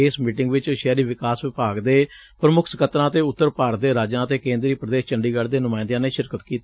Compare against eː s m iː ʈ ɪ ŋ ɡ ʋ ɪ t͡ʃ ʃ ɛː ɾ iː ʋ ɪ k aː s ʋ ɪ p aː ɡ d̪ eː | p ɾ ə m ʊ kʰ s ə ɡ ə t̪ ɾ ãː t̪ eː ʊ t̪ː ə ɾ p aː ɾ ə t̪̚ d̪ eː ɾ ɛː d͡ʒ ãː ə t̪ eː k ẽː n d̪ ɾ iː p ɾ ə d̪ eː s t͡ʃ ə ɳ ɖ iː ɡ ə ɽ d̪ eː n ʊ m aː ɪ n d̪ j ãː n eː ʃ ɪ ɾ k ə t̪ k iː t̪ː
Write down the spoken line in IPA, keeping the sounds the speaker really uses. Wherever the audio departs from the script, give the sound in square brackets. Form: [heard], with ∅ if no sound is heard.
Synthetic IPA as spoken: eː s m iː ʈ ɪ ŋ ɡ ʋ ɪ t͡ʃ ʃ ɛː ɾ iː ʋ ɪ k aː s ʋ ɪ p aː ɡ d̪ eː | p ɾ ə m ʊ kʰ s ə [k] ə t̪ ɾ ãː t̪ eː ʊ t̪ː ə ɾ p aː ɾ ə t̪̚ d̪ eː ɾ [aː] d͡ʒ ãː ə t̪ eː k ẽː n d̪ ɾ iː p ɾ ə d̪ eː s t͡ʃ ə ɳ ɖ iː ɡ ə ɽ d̪ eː n ʊ m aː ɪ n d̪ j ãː n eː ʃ ɪ ɾ k ə t̪ k iː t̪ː